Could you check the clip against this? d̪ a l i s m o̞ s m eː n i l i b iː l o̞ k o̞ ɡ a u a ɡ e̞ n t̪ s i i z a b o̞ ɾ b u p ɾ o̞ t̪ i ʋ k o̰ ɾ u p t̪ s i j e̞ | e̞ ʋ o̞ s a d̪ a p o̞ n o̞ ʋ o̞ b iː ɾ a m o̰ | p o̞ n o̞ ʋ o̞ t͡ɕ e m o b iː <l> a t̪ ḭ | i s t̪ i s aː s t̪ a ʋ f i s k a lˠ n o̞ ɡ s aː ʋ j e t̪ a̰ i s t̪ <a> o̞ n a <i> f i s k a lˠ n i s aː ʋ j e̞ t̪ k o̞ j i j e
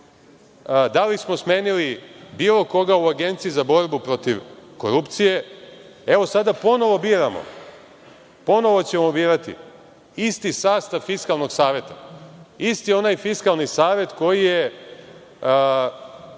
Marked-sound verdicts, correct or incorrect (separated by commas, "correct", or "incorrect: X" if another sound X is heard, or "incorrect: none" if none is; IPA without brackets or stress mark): incorrect: ɾ, incorrect: i, incorrect: j